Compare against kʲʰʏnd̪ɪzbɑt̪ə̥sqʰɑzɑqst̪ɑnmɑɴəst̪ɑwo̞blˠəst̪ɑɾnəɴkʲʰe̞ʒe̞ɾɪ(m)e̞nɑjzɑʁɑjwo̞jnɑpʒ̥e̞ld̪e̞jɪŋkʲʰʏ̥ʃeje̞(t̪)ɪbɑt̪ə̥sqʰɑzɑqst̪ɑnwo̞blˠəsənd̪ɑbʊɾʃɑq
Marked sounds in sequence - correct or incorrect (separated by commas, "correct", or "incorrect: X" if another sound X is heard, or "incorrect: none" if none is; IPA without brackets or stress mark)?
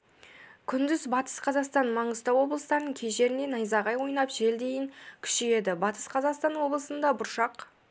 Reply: incorrect: n, incorrect: d̪